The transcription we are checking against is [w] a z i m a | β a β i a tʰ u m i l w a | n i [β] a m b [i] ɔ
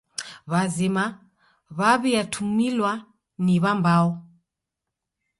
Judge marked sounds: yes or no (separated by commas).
no, yes, no